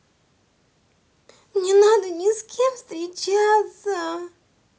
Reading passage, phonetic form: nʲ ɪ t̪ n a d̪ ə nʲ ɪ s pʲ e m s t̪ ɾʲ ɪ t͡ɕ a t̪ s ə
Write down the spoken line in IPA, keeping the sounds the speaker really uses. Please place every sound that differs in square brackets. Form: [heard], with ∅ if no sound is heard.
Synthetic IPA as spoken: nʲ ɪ [∅] n a d̪ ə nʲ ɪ s [kʲ] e m s t̪ ɾʲ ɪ t͡ɕ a t̪ s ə

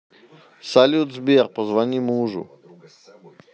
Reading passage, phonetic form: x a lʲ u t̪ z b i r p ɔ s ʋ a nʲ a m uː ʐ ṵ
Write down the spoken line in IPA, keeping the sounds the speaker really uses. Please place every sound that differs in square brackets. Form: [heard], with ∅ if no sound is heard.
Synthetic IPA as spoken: [s] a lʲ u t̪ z b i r p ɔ [z] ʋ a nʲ [i] m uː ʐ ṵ

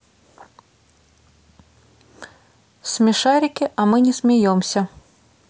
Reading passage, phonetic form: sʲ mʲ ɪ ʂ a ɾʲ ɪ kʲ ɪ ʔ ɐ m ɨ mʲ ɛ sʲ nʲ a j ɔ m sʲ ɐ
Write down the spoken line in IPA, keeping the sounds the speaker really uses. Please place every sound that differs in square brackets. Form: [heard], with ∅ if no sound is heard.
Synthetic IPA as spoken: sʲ mʲ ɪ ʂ a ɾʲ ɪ kʲ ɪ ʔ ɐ m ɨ [nʲ] ɛ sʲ [mʲ] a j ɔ m sʲ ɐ

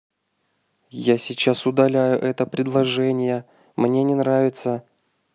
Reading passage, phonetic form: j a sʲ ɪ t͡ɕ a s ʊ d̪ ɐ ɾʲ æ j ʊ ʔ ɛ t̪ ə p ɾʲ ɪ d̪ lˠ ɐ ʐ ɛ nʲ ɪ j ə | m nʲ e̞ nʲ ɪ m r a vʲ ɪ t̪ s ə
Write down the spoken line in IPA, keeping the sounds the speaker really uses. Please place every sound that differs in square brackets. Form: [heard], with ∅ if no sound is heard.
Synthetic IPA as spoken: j a sʲ ɪ t͡ɕ a s ʊ d̪ ɐ [lʲ] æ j ʊ ʔ ɛ t̪ ə p ɾʲ ɪ d̪ lˠ ɐ ʐ ɛ nʲ ɪ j ə | m nʲ e̞ nʲ ɪ [n] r a vʲ ɪ t̪ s ə

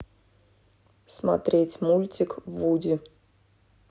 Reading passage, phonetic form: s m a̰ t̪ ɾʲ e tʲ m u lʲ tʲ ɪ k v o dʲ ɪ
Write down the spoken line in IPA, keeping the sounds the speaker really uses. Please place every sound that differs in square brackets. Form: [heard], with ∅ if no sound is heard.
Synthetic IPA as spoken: s m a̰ t̪ ɾʲ e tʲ m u lʲ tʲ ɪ k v [u] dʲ ɪ

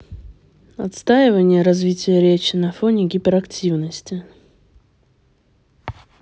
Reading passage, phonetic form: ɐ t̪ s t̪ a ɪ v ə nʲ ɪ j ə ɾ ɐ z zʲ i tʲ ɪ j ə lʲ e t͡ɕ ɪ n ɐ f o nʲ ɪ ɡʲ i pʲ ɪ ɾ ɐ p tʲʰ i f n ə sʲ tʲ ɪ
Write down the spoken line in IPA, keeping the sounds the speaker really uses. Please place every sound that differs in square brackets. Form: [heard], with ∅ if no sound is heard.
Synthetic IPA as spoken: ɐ t̪ s t̪ a ɪ v ə nʲ ɪ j ə ɾ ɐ z [vʲ] i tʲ ɪ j ə [ɾʲ] e t͡ɕ ɪ n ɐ f o nʲ ɪ ɡʲ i pʲ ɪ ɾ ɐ [k] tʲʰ i [v] n ə sʲ tʲ ɪ

